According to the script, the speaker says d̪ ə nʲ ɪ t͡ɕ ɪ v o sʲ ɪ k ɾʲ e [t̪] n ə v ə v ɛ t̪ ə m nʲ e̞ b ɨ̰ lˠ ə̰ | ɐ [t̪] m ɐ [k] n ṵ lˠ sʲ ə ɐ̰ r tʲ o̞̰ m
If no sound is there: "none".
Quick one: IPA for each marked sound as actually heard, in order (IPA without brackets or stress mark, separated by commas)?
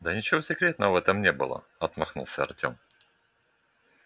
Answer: t̪, t̪, x